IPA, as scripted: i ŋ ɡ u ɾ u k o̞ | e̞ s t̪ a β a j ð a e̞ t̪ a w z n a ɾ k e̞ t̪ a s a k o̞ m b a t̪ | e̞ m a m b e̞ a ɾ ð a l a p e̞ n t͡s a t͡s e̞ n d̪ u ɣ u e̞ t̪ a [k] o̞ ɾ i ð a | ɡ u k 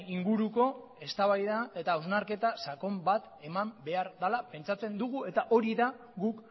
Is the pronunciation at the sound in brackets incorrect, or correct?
incorrect